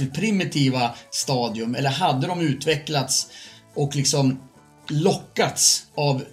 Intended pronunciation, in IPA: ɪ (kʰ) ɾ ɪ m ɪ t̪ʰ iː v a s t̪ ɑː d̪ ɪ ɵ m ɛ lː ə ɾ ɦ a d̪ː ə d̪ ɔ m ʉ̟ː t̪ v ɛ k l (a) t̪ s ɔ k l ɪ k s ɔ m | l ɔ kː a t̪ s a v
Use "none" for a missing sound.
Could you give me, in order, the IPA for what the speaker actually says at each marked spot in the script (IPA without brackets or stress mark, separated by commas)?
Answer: pʰ, a